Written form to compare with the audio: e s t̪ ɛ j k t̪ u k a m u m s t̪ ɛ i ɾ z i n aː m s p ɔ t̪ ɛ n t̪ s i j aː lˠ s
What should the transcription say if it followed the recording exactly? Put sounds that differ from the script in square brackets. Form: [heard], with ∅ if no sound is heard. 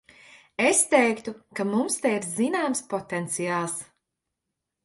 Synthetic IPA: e s t̪ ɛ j k t̪ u k a m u m s t̪ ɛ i ɾ z i n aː m s p ɔ t̪ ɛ n t̪ s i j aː lˠ s